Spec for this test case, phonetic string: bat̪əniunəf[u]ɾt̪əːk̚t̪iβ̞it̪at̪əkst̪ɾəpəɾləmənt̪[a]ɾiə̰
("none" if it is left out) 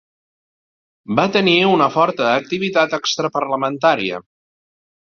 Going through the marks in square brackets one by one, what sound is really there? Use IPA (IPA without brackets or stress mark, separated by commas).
ɔ, a